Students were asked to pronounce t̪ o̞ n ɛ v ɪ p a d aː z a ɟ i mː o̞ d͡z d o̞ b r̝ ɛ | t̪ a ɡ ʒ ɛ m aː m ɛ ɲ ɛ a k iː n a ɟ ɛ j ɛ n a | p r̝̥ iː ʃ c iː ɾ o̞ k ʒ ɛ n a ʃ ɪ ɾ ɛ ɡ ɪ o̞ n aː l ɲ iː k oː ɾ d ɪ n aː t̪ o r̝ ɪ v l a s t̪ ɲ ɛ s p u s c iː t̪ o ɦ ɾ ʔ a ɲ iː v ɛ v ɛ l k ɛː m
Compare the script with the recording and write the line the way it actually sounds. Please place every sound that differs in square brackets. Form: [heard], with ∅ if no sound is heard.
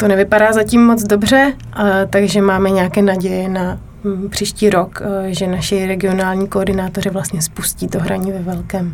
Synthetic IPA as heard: t̪ o̞ n ɛ v ɪ p a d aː z a [c] i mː o̞ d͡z d o̞ b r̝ ɛ | t̪ a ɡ ʒ ɛ m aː m ɛ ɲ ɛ a k [ɛː] n a ɟ ɛ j ɛ n a | p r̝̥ iː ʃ c iː ɾ o̞ k ʒ ɛ n a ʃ ɪ ɾ ɛ ɡ ɪ o̞ n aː l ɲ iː k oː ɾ d ɪ n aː t̪ o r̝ ɪ v l a s t̪ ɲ ɛ s p u s c iː t̪ o ɦ ɾ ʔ a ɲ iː v ɛ v ɛ l k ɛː m